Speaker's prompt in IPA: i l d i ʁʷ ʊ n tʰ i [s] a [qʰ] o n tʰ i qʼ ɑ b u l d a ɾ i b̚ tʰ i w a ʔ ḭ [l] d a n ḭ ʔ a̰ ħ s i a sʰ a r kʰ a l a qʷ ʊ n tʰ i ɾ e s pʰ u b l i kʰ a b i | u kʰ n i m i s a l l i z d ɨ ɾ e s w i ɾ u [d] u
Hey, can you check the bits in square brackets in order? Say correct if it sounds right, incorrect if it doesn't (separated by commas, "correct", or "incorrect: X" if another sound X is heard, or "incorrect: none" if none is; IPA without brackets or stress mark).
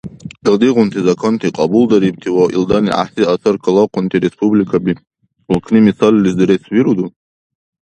incorrect: z, incorrect: kʰ, correct, correct